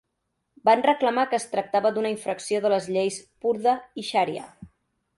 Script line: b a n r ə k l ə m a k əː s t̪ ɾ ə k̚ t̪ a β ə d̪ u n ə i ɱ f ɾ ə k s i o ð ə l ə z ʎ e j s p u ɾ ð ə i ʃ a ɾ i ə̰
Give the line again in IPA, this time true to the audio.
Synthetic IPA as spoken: b a n r ə k l ə m a k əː s t̪ ɾ ə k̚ t̪ a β ə d̪ u n ə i ɱ f ɾ ə k s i o ð ə l ə z ʎ e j s p u ɾ ð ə i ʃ a ɾ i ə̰